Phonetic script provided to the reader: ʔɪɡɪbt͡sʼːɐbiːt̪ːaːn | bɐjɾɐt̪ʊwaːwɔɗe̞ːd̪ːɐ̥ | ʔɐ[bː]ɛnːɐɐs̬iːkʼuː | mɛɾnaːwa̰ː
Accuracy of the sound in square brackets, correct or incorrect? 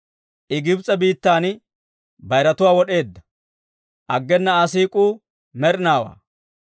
incorrect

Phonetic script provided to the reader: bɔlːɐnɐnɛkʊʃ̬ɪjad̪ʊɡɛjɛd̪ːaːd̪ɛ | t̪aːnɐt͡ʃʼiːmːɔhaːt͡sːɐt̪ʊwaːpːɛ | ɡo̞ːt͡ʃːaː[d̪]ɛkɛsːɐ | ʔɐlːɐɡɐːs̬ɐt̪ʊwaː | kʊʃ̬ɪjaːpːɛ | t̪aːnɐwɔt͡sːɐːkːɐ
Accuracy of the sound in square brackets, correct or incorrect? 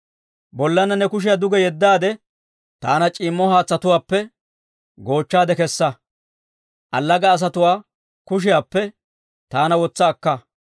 correct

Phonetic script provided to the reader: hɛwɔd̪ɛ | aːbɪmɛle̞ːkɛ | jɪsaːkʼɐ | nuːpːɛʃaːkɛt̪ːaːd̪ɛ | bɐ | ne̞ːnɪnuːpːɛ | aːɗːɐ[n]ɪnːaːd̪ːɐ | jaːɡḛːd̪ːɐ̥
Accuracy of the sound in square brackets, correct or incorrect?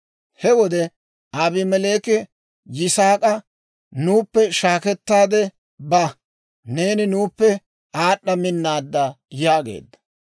incorrect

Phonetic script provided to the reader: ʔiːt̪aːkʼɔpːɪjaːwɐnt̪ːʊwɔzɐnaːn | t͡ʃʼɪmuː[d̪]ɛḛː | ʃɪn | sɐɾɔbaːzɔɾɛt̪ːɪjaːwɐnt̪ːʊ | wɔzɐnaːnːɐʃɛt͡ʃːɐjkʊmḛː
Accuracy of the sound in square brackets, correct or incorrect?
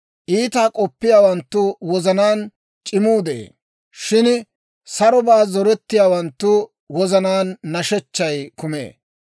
correct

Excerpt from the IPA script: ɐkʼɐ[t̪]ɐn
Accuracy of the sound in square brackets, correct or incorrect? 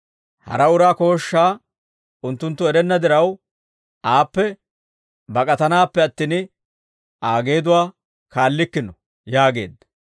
correct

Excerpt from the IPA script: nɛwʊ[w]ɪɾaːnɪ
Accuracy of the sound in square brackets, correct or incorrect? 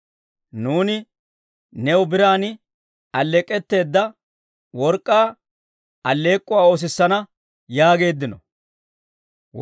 incorrect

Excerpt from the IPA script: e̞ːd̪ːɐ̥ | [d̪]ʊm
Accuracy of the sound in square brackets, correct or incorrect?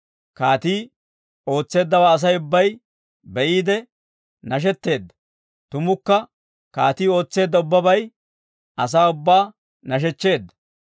incorrect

